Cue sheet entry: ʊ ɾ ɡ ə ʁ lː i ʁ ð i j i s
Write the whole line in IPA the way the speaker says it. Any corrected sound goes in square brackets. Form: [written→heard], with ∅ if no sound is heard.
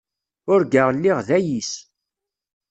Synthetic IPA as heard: ʊ ɾ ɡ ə ʁ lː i ʁ ð [i→æ] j i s